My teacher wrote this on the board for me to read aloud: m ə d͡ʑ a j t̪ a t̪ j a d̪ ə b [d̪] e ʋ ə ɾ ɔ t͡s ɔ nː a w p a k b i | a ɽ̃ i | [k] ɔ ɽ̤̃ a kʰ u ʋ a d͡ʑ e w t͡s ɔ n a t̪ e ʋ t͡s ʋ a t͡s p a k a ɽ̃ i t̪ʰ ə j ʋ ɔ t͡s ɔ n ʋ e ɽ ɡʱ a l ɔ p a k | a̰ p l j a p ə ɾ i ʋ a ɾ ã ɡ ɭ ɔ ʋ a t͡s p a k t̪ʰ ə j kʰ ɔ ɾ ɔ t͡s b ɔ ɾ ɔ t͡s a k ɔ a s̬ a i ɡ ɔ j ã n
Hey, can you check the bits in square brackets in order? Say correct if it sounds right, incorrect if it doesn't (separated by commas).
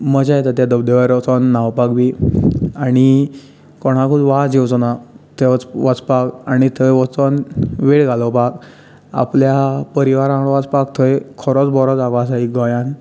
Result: correct, correct